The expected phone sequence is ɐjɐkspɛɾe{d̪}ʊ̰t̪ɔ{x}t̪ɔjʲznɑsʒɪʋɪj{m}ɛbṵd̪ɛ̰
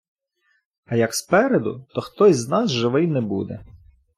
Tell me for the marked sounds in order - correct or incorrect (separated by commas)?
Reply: correct, correct, incorrect